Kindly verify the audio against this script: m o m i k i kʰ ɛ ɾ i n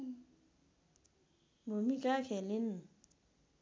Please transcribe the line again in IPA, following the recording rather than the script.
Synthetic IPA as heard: m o m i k a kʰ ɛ l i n

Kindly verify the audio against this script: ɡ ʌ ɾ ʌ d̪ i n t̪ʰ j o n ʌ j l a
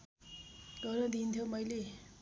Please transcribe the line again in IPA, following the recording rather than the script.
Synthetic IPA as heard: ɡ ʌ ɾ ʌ d̪ i n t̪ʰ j o m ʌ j l e

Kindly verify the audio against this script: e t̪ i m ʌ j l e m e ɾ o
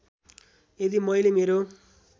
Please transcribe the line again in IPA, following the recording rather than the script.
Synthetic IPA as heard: e d̪ i m ʌ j l e m e ɾ o

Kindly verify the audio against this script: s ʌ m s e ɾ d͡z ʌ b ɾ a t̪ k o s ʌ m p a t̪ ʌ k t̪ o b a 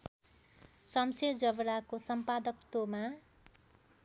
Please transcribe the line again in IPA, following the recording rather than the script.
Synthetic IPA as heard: s ʌ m s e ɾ d͡z ʌ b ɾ a k o s ʌ m p a d̪ ʌ k t̪ o m a

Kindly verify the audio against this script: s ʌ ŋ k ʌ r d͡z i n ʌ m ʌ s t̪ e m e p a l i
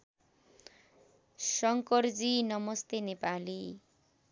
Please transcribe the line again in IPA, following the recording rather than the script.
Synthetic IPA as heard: s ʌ ŋ k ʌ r d͡z i n ʌ m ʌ s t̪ e n e p a l i

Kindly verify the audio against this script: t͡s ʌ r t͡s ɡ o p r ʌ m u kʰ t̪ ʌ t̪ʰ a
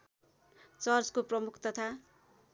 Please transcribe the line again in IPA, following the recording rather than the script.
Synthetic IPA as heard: t͡s ʌ r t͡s k o p r ʌ m u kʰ t̪ ʌ t̪ʰ a

